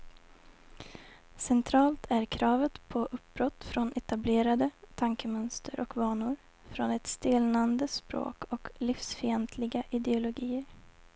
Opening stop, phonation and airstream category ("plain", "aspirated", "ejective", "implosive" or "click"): aspirated